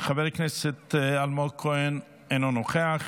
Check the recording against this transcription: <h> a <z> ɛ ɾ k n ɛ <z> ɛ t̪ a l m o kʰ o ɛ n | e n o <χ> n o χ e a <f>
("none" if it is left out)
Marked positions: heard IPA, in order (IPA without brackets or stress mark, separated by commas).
χ, v, s, none, χ